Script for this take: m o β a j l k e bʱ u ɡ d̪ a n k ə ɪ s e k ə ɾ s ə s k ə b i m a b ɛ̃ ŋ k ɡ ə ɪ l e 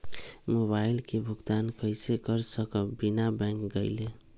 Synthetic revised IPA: m o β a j l k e bʱ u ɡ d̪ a n k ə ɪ s e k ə ɾ s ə k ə b i n a b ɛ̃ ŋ k ɡ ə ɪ l e

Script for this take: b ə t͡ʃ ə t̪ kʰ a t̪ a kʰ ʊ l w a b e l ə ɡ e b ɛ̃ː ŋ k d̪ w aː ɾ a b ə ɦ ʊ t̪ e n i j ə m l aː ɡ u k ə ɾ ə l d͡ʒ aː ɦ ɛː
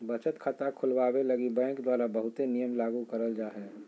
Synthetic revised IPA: b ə t͡ʃ ə t̪ kʰ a t̪ a kʰ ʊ l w a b e l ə ɡ i b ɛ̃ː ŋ k d̪ w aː ɾ a b ə ɦ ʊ t̪ e n i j ə m l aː ɡ u k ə ɾ ə l d͡ʒ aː ɦ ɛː

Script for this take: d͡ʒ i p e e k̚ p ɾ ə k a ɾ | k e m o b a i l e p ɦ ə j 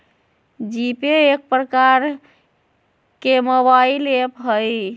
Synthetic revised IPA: d͡ʒ i p e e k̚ p ɾ ə k a ɾ | k e m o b a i l e p ɦ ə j

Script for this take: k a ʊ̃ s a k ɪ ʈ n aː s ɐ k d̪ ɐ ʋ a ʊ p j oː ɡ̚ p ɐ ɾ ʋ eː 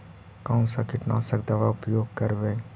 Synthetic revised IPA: k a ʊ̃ s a k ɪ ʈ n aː s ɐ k d̪ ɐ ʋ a ʊ p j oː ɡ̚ k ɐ ɾ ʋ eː

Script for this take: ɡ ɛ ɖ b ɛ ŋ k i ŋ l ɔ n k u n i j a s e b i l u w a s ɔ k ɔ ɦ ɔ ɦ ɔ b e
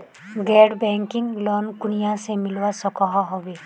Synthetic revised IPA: ɡ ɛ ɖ b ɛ ŋ k i ŋ l ɔ n k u n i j a s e m i l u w a s ɔ k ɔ ɦ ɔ ɦ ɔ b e

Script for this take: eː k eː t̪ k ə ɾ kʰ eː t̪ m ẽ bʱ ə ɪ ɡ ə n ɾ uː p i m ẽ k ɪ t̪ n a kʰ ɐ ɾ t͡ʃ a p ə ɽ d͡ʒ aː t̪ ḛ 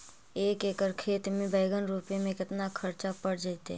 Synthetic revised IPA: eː k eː k ə ɾ kʰ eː t̪ m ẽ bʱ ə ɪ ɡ ə n ɾ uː p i m ẽ k ɪ t̪ n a kʰ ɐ ɾ t͡ʃ a p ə ɽ d͡ʒ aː t̪ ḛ

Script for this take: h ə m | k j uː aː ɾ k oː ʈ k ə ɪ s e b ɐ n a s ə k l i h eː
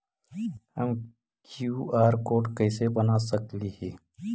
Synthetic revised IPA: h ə m | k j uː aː ɾ k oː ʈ k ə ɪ s e b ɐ n a s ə k l i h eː

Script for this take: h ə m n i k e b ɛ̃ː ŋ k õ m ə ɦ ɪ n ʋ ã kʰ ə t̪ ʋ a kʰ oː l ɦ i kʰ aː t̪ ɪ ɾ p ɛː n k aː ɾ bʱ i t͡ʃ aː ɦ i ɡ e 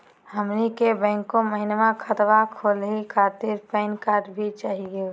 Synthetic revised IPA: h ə m n i k e b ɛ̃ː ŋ k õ m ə ɦ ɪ n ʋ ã kʰ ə t̪ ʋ a kʰ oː l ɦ i kʰ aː t̪ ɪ ɾ p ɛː n k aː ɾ bʱ i t͡ʃ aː ɦ i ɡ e

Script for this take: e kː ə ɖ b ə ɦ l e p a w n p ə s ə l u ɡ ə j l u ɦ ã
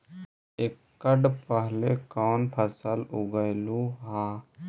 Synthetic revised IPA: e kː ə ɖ p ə ɦ l e k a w n pʰ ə s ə l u ɡ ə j l u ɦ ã

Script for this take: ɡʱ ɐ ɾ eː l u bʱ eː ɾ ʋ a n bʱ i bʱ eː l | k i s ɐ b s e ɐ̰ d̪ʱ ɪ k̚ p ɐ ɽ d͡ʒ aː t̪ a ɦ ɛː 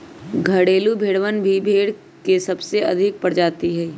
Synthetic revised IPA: ɡʱ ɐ ɽ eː l u bʱ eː ɽ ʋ ə n bʱ i bʱ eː ɽ | k e s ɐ b s e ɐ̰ d̪ʱ ɪ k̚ p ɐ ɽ d͡ʒ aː t̪ i ɦ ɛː

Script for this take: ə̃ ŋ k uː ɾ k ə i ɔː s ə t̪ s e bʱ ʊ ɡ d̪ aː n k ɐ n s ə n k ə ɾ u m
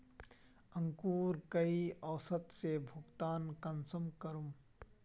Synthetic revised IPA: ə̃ ŋ k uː ɾ k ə i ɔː s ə t̪ s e bʱ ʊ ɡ t̪ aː n k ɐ n s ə m k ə ɾ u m

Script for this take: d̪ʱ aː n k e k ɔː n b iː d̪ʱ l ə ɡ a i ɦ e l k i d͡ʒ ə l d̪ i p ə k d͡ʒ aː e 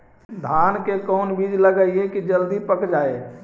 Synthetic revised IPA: d̪ʱ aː n k e k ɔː n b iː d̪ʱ l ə ɡ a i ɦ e k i d͡ʒ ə l d̪ i p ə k d͡ʒ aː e

